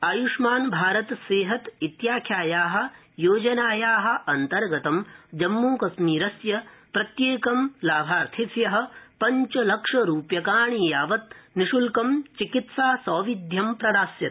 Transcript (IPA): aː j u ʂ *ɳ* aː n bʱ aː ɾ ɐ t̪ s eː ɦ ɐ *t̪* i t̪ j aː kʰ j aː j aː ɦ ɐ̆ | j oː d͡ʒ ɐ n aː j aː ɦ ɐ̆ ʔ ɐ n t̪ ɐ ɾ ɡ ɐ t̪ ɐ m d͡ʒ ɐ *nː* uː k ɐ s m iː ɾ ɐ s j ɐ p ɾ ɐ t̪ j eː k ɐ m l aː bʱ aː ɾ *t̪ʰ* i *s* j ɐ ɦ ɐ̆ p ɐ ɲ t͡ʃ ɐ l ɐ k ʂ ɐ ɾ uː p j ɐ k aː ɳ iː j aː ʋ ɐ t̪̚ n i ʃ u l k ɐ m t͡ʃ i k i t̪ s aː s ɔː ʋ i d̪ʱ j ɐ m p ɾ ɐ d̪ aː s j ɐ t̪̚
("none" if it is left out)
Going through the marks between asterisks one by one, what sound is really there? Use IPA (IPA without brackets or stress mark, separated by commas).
m, t̪, mː, t̪ʰ, s